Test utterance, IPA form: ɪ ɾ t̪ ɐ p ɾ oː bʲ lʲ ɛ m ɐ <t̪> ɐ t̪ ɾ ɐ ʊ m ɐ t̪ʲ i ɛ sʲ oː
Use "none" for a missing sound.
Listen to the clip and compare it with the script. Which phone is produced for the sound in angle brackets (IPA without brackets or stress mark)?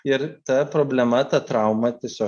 t̪